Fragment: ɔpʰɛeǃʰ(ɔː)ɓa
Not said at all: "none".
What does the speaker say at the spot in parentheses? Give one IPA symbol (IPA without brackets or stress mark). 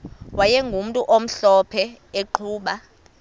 uː